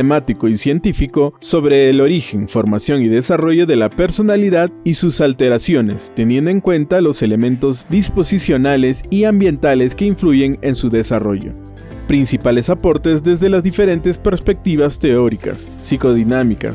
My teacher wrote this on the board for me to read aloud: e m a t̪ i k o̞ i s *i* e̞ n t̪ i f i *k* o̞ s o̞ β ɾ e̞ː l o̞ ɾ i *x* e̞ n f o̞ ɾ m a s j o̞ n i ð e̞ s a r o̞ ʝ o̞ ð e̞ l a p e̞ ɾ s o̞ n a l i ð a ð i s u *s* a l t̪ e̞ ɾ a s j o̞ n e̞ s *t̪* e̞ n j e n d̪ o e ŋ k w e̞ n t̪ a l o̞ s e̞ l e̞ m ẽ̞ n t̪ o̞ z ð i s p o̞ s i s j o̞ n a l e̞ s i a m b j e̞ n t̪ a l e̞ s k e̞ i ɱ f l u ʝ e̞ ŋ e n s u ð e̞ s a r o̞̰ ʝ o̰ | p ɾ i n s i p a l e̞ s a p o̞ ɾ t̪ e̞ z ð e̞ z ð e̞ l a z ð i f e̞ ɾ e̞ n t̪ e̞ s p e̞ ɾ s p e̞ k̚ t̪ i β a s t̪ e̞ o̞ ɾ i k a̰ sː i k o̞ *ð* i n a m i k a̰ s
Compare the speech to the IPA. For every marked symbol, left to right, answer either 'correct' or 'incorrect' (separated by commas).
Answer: incorrect, correct, correct, correct, correct, correct